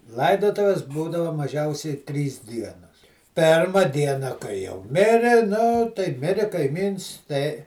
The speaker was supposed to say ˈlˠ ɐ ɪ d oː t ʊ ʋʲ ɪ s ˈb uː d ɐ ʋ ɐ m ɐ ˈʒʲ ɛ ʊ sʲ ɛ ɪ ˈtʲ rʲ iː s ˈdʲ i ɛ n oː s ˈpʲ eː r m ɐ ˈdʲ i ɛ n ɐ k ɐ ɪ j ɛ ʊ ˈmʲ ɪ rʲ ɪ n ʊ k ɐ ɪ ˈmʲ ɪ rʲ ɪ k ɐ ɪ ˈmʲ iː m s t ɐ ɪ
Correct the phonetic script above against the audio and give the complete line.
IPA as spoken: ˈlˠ ɐ ɪ d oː t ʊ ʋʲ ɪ s ˈb uː d ɐ ʋ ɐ m ɐ ˈʒʲ ɛ ʊ sʲ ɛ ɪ ˈtʲ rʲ iː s ˈdʲ i ɛ n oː s ˈpʲ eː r m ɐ ˈdʲ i ɛ n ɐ k ɐ ɪ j ɛ ʊ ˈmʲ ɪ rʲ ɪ n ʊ t ɐ ɪ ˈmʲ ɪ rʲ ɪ k ɐ ɪ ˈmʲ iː n s t ɐ ɪ